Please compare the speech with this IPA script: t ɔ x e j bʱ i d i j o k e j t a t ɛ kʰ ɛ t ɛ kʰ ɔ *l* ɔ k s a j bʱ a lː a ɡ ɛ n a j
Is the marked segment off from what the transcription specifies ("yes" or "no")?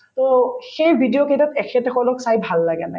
no